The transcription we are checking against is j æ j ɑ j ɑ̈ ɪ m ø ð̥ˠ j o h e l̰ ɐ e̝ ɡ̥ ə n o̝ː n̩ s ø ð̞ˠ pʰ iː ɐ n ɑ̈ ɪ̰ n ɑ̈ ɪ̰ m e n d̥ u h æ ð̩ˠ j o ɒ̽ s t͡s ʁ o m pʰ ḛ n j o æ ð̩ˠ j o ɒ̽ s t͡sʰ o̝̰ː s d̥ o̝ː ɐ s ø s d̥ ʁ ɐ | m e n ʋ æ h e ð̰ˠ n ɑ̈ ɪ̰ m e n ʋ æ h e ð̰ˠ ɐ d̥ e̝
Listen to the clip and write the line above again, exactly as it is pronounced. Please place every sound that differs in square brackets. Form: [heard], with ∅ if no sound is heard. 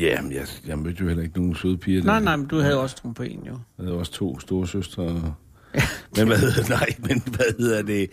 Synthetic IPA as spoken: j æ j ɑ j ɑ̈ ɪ m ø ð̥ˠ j o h e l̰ ɐ e̝ ɡ̥ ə n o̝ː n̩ s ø ð̞ˠ pʰ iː ɐ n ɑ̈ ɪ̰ n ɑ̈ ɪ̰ m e n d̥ u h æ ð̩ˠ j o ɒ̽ s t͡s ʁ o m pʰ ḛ n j o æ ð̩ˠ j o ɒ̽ s t͡sʰ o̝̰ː s d̥ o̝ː ɐ s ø s d̥ ʁ ɐ | m e n ʋ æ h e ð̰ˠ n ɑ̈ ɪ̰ m e n ʋ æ h e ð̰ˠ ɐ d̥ e̝